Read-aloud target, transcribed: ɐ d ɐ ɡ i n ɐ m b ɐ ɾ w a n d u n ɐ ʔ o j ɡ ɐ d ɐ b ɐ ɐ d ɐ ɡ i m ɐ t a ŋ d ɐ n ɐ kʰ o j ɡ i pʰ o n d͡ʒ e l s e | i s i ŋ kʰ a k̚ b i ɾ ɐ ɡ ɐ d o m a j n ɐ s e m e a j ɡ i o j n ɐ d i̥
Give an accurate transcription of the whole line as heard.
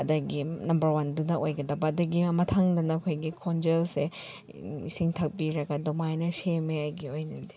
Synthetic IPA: ɐ d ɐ ɡ i n ɐ m b ɐ ɾ w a n d u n ɐ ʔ o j ɡ ɐ d ɐ b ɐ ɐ d ɐ ɡ i m ɐ tʰ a ŋ d ɐ n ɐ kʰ o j ɡ i kʰ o n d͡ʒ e l s e | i s i ŋ tʰ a k̚ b i ɾ ɐ ɡ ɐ d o m a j n ɐ s e m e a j ɡ i o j n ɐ d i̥

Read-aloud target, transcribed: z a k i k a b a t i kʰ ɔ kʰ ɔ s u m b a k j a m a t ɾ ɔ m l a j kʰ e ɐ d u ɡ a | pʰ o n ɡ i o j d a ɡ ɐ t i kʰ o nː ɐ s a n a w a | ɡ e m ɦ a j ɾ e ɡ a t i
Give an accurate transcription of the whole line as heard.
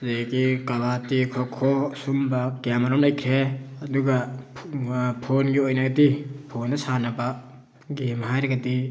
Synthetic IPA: z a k i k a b a t i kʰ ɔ kʰ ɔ s u m b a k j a m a ɾ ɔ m l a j kʰ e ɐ d u ɡ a | pʰ o n ɡ i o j n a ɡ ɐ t i pʰ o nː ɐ s a n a b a | ɡ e m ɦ a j ɾ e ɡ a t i

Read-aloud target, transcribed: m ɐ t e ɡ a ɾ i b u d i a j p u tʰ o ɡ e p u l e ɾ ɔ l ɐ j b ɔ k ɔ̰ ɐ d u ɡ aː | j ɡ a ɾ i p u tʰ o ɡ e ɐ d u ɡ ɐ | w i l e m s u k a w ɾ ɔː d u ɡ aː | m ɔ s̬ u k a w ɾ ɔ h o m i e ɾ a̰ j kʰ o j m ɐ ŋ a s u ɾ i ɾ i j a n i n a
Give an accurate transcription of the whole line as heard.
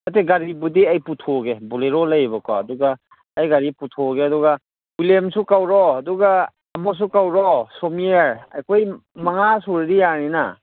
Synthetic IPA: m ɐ t e ɡ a ɾ i b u d i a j p u tʰ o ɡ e b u l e ɾ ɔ l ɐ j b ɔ k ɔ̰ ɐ d u ɡ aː | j ɡ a ɾ i p u tʰ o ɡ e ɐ d u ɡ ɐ | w i l e m s u k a w ɾ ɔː d u ɡ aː | m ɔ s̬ u k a w ɾ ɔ s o m i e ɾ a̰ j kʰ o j m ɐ ŋ a s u ɾ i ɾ i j a n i n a

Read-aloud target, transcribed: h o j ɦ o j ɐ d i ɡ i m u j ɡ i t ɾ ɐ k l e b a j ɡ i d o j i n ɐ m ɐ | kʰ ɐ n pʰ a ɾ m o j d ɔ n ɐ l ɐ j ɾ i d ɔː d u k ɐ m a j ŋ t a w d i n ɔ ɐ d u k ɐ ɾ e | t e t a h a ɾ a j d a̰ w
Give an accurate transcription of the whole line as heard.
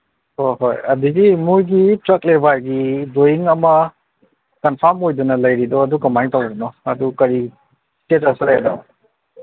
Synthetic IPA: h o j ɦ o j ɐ d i ɡ i m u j ɡ i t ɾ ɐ k l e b a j ɡ i d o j i ŋ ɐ m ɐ | k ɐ n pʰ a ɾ m o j d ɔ n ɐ l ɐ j ɾ i d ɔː d u k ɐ m a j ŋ t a w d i n ɔ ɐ d u k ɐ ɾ i | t e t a s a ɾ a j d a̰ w

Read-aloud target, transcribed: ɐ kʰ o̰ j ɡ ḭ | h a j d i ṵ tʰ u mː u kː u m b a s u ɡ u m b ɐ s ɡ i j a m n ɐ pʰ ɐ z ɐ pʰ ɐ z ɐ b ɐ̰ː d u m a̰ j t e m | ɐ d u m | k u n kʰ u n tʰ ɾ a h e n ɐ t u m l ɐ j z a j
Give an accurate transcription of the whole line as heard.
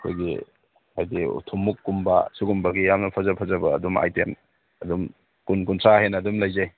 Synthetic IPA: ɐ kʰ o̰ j ɡ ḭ | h a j d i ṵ tʰ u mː u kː u m b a s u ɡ u m b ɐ ɡ i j a m n ɐ pʰ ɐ z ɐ pʰ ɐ z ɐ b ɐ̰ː d u m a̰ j t e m | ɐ d u m | k u n k u n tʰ ɾ a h e n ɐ d u m l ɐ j z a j

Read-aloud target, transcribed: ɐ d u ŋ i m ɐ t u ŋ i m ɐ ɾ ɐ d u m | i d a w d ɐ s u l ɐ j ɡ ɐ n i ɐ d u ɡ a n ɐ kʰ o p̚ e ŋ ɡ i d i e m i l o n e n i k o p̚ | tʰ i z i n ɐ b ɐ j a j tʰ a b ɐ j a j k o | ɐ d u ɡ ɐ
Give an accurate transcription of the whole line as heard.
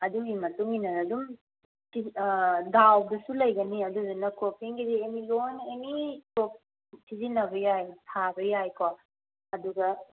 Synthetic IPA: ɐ d u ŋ i m ɐ t u ŋ i n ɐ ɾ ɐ d u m | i d a w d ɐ s u l ɐ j ɡ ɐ n i ɐ d u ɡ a n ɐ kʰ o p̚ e ŋ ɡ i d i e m i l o n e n i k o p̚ | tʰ i z i n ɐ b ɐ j a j tʰ a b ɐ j a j k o | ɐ d u ɡ ɐ

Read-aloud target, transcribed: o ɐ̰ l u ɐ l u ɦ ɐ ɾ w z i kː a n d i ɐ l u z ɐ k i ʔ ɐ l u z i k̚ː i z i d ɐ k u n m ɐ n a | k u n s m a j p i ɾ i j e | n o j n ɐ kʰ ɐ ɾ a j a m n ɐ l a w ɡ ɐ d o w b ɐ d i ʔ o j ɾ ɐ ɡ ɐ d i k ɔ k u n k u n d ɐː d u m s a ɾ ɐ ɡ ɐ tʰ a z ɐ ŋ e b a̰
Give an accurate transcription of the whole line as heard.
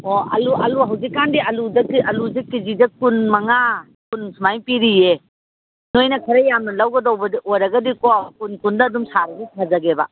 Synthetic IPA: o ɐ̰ l u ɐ l u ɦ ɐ w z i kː a n d i ɐ l u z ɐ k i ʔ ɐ l u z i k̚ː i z i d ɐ k u n m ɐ ŋ a | k u n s m a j p i ɾ i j e | n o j n ɐ kʰ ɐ ɾ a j a m n ɐ l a w ɡ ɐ d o w b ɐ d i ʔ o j ɾ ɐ ɡ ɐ d i k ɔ k u n k u n d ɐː d u m s a ɾ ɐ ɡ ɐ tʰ a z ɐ ɡ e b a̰

